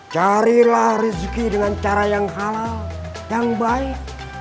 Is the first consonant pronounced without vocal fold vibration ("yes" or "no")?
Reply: yes